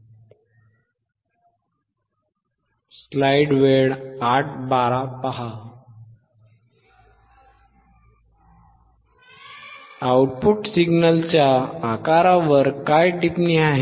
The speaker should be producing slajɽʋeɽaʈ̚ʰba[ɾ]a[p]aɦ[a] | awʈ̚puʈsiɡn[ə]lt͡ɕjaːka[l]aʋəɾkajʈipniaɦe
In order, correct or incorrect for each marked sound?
correct, correct, correct, correct, incorrect

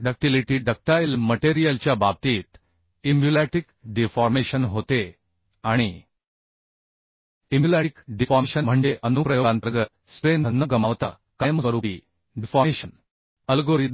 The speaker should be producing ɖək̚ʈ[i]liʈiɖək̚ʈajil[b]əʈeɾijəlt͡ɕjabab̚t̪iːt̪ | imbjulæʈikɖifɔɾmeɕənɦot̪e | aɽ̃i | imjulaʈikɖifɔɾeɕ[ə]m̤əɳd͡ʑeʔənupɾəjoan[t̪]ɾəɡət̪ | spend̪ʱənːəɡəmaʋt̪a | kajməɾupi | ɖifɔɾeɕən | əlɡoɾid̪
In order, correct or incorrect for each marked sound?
correct, incorrect, correct, correct

